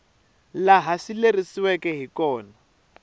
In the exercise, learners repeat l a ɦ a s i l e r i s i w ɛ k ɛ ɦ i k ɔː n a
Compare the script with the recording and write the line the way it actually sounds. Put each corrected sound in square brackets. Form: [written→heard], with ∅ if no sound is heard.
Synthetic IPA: l a ɦ a s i l e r i s i w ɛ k ɛ ɦ i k ɔː n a

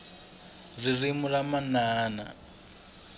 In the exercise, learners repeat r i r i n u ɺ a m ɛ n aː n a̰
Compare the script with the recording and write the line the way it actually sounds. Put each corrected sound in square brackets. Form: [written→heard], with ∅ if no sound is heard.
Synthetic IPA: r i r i [n→m] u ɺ a m [ɛ→a] n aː n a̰

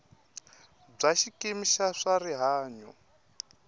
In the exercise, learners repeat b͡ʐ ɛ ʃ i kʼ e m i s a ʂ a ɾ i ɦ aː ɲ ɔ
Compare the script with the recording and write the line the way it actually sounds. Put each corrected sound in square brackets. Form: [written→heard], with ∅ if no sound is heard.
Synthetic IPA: b͡ʐ [ɛ→a] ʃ i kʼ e m i [s→ʃ] a ʂ a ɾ i ɦ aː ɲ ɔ

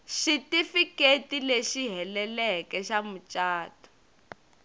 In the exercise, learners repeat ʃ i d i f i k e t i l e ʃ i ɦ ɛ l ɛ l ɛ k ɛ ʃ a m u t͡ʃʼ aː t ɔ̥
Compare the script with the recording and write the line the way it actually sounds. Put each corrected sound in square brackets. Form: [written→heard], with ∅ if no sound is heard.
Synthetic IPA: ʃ i [d→t] i f i k e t i l e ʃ i ɦ ɛ l ɛ l ɛ k ɛ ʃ a m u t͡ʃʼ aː t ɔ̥

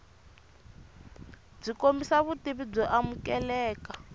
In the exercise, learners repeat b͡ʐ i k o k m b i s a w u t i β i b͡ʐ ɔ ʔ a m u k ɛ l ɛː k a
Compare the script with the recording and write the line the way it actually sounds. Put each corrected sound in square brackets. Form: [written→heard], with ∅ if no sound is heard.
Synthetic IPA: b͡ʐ i k o [k→∅] m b i s a [w→β] u t i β i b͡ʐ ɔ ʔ a m u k ɛ l ɛː k a

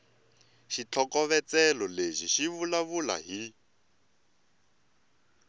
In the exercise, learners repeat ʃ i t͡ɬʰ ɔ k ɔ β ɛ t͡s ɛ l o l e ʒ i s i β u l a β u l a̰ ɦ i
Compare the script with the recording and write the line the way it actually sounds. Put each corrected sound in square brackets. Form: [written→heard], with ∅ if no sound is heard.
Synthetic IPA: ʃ i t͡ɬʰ ɔ k ɔ β ɛ t͡s ɛ l [o→ɔ] l e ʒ i [s→ʃ] i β u l a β u l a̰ ɦ i

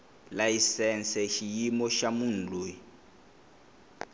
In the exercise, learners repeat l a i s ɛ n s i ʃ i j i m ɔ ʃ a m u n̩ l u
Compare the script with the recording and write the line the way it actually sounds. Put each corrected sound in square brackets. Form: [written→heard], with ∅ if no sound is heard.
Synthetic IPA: l a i s ɛ n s [i→ɛ] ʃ i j i m ɔ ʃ a m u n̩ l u

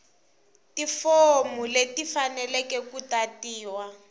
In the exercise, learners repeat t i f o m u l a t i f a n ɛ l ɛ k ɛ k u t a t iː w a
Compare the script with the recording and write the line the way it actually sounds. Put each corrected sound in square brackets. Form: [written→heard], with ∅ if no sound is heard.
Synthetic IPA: t i f o m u l [a→e] t i f a n ɛ l ɛ k ɛ k u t a t iː w a

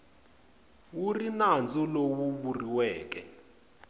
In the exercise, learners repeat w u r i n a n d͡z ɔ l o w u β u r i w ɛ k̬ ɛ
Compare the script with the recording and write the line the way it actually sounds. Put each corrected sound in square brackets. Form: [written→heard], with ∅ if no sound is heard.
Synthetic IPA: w u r i n a n d͡z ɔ l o w u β u r i w [ɛ→ɛː] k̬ ɛ

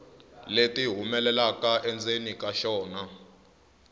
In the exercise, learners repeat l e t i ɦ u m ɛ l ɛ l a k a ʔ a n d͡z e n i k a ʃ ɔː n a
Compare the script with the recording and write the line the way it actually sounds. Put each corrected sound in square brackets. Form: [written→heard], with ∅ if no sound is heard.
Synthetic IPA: l e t i ɦ u m ɛ l ɛ l a k a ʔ [a→ɛ] n d͡z e n i k a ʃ ɔː n a

